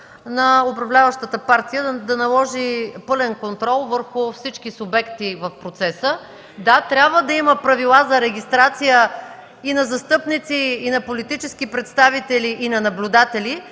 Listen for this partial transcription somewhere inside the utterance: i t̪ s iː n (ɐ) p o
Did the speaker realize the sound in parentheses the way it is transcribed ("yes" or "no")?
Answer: yes